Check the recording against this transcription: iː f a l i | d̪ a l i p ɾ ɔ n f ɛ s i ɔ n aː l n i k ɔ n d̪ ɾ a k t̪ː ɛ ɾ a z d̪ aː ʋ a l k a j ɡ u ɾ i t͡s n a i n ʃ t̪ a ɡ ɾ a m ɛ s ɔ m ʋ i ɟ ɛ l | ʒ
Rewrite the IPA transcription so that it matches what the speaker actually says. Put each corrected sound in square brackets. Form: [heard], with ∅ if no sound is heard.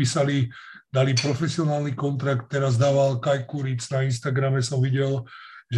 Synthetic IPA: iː [s] a l i | d̪ a l i p ɾ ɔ [∅] f ɛ s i ɔ n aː l n i k ɔ n [t̪] ɾ a k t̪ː ɛ ɾ a z d̪ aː ʋ a l k a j [k] u ɾ i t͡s n a i n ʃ t̪ a ɡ ɾ a m ɛ s ɔ m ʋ i ɟ ɛ l | ʒ